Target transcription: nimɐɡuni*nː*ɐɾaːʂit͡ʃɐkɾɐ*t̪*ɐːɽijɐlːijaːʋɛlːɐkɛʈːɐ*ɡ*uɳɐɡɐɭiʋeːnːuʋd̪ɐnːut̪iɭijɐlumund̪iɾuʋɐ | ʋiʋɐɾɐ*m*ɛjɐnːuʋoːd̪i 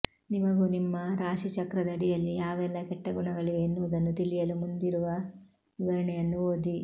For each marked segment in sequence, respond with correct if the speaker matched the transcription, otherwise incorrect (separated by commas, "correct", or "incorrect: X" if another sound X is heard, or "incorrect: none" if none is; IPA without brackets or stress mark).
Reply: incorrect: mː, incorrect: d̪, correct, incorrect: ɳ